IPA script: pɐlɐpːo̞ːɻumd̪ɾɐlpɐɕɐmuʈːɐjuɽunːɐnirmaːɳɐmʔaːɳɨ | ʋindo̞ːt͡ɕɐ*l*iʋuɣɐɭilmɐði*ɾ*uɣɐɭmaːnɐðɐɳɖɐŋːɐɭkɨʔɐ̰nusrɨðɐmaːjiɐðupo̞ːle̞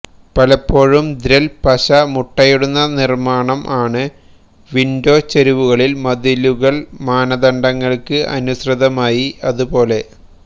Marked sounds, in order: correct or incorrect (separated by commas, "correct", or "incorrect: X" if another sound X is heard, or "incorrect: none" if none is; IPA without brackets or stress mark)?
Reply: incorrect: ɾ, incorrect: l